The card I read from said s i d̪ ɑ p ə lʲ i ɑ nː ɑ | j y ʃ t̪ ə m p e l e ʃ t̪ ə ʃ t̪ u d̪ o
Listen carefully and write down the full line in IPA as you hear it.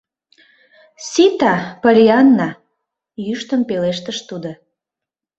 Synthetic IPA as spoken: s i t̪ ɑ p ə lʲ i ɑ nː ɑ | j y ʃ t̪ ə m p e l e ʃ t̪ ə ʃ t̪ u d̪ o